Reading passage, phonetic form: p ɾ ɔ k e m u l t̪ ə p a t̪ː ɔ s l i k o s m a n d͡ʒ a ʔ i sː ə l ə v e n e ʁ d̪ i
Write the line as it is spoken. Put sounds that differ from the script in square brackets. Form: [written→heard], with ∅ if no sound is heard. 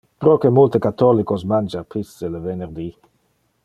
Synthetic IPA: p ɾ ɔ k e m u l t̪ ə [p→k] a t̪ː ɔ [s→∅] l i k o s m a n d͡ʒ a [ʔ→p] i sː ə l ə v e n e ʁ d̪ i